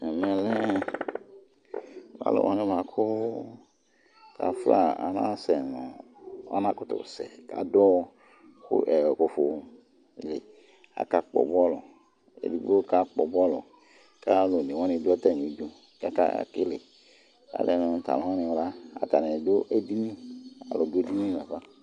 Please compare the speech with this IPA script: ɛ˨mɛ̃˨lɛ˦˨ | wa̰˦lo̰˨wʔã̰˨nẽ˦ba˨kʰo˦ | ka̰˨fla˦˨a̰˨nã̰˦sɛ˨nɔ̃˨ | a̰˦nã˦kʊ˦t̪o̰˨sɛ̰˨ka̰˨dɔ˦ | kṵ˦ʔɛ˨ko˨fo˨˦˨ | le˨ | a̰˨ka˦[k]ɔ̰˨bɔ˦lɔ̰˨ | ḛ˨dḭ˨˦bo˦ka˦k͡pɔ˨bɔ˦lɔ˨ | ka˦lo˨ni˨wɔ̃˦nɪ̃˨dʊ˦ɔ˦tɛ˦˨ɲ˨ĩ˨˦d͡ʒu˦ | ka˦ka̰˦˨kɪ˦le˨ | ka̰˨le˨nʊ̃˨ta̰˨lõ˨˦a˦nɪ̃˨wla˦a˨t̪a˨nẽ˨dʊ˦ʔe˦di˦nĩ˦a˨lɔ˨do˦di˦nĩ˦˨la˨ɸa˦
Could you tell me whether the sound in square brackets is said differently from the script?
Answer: yes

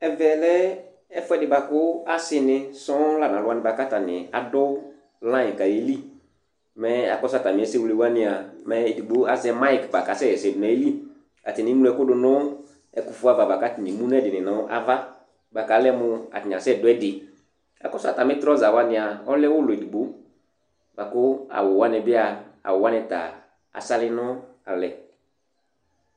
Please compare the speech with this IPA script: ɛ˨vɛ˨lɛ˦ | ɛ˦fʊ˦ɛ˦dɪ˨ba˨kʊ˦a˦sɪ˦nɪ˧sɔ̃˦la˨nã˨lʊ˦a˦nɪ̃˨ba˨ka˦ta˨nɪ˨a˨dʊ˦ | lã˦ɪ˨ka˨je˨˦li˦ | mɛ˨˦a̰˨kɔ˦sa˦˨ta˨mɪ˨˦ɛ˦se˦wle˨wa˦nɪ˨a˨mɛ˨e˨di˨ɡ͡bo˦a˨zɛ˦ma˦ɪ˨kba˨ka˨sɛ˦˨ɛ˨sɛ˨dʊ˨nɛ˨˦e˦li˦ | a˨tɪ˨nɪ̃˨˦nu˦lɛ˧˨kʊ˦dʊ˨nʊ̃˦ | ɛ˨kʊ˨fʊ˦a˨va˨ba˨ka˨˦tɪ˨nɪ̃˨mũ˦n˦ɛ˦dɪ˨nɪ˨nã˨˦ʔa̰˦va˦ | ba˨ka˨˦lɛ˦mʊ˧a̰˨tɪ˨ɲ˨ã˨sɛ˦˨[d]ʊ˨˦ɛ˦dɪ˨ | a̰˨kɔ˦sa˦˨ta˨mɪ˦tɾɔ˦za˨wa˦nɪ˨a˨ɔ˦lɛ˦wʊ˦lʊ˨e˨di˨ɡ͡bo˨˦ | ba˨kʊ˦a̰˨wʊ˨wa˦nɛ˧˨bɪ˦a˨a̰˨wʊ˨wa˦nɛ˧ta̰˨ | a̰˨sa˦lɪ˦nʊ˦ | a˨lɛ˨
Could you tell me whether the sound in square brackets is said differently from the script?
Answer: no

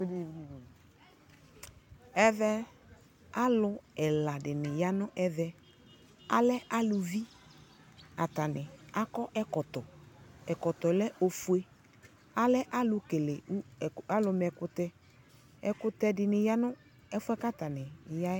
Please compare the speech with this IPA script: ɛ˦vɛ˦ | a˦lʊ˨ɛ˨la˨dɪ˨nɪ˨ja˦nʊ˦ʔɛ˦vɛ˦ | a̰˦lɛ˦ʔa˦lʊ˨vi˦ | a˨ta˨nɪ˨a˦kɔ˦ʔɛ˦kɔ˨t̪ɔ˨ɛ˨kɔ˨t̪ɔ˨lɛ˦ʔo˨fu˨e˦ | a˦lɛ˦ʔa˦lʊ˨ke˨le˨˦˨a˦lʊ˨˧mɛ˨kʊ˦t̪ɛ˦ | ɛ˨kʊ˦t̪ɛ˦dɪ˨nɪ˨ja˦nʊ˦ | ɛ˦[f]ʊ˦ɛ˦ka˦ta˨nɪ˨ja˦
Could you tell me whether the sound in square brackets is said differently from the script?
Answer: no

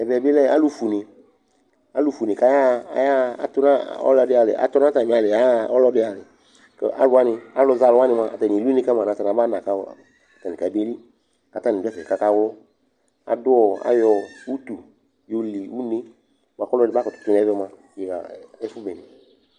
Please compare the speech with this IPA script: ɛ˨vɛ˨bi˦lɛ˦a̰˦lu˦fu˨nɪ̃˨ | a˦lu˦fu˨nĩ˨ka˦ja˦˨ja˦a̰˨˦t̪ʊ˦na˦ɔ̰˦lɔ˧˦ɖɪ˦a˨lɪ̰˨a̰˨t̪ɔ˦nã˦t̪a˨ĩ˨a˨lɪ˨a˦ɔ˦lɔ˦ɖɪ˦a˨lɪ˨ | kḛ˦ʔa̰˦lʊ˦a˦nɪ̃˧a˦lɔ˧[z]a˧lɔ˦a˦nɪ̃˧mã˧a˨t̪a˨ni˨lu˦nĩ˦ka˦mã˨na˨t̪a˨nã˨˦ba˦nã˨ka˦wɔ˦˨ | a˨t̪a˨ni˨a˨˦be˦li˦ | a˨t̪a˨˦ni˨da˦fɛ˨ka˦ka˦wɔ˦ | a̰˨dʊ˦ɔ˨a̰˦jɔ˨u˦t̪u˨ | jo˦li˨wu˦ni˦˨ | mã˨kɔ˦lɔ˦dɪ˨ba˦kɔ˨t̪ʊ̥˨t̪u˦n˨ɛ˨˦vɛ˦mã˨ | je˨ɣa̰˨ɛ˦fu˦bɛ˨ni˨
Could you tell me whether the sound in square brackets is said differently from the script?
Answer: no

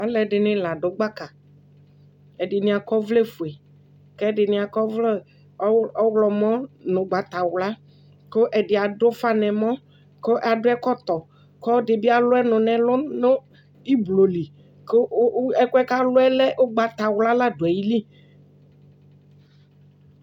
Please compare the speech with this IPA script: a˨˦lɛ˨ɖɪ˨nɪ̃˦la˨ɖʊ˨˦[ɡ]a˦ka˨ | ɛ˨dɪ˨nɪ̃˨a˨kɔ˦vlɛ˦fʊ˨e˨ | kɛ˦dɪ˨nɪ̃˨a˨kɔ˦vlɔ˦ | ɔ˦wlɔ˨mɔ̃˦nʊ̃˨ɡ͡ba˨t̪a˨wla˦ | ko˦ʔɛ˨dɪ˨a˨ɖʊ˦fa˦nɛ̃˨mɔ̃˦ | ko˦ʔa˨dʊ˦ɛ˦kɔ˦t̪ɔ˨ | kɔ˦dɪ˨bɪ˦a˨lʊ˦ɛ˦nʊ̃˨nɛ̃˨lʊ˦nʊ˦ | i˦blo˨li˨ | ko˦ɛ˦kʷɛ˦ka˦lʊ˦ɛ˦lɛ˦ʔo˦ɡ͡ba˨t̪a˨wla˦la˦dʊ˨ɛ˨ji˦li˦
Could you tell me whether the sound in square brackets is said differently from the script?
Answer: yes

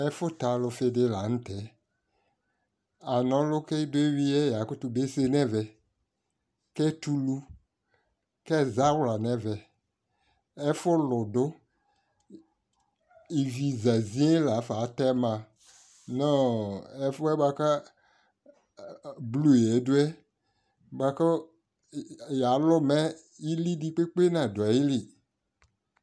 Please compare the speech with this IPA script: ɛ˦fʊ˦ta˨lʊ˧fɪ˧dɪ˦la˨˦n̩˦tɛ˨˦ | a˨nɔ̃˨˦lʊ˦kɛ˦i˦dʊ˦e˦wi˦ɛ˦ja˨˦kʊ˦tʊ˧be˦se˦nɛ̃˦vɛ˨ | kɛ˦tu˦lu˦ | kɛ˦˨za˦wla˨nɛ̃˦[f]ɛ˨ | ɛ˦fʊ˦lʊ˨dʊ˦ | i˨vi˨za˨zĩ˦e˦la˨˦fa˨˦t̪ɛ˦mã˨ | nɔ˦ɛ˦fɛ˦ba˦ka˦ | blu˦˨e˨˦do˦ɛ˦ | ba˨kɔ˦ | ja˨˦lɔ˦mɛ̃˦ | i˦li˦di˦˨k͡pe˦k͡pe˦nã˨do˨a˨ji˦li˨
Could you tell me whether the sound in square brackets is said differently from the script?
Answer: yes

